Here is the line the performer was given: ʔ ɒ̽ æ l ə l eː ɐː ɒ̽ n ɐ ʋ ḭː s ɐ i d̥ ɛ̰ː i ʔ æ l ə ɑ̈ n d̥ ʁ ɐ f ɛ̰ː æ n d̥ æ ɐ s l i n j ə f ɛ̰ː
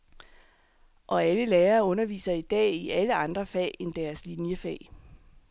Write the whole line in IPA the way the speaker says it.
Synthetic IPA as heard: ʔ ɒ̽ æ l ə l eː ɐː ɔ̽ n ɐ ʋ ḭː s ɐ i d̥ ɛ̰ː i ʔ æ l ə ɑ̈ n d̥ ʁ ɐ f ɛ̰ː e n d̥ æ ɐ s l i n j ə f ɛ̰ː